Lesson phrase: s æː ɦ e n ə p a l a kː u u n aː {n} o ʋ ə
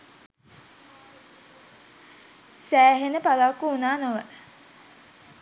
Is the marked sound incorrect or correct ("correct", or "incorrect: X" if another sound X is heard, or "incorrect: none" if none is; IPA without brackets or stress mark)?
correct